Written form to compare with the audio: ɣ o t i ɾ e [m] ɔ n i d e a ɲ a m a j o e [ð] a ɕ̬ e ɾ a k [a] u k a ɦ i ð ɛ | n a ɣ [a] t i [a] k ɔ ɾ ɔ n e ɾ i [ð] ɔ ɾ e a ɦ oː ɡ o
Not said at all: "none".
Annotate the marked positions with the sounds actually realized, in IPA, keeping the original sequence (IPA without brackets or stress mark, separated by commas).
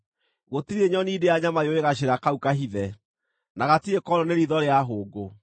ɲ, ɣ, a, a, e, ð